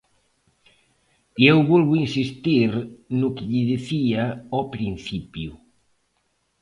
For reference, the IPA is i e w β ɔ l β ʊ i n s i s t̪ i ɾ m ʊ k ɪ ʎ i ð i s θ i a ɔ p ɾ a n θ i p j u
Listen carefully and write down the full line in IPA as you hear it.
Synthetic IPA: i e w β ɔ l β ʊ i n s i s t̪ i ɾ n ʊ k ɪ ʎ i ð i θ i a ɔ p ɾ i n θ i p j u

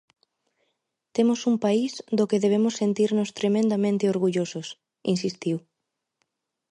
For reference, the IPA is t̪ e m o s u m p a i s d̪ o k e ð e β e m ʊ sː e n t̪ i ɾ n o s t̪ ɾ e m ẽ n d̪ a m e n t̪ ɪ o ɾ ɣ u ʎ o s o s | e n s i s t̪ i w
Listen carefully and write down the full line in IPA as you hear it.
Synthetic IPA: t̪ e m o s u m p a i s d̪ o k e ð e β e m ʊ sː e n t̪ i ɾ n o s t̪ ɾ e m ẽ n d̪ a m ẽ n t̪ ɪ o ɾ ɣ u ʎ o s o s | i n s i s t̪ i w

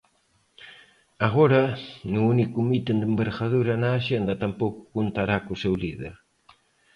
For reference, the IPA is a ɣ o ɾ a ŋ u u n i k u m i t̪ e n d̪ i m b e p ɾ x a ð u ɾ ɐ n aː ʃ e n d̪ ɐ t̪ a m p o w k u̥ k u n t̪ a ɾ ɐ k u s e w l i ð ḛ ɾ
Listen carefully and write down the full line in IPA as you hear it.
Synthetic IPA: a ɣ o ɾ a n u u n i k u m i t̪ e n d̪ e m b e ɾ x a ð u ɾ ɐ n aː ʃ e n d̪ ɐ t̪ a m p o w k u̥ k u n t̪ a ɾ a k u s e w l i ð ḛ ɾ

